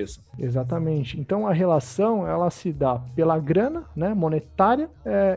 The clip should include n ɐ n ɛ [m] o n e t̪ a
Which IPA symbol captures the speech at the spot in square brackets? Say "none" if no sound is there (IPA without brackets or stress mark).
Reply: m